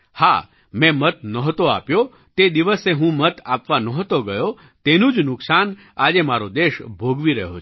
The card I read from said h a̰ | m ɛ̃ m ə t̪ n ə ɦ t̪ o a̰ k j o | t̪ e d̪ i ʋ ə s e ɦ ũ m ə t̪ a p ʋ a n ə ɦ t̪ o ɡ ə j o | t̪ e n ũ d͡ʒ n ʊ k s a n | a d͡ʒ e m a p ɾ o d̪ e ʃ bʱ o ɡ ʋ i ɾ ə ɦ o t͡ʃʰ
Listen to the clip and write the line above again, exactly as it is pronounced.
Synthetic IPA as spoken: h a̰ | m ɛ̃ m ə t̪ n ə ɦ t̪ o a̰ p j o | t̪ e d̪ i ʋ ə s e ɦ ũ m ə t̪ a p ʋ a n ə ɦ t̪ o ɡ ə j o | t̪ e n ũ d͡ʒ n ʊ k s a n | a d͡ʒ e m a ɾ o d̪ e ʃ bʱ o ɡ ʋ i ɾ ə ɦ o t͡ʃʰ